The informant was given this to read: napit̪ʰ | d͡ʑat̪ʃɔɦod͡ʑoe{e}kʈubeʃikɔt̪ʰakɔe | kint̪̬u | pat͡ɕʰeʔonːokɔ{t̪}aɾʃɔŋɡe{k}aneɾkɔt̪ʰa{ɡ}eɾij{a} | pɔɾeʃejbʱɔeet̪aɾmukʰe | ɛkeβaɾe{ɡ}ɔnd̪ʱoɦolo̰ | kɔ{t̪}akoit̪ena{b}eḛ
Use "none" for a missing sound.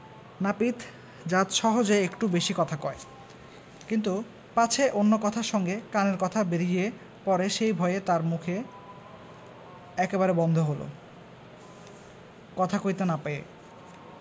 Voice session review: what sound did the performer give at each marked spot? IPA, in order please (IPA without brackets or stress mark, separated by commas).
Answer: e, t̪ʰ, k, b, e, b, t̪ʰ, p